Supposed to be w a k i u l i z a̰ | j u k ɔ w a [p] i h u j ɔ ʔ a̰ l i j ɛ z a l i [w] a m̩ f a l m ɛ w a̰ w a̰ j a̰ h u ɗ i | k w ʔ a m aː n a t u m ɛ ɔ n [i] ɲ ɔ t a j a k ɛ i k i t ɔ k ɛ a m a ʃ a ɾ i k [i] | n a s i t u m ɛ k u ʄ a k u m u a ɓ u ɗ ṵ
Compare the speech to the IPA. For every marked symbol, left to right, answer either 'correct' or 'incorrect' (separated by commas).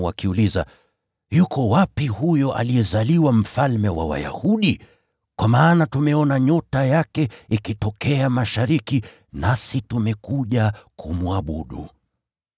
correct, correct, incorrect, correct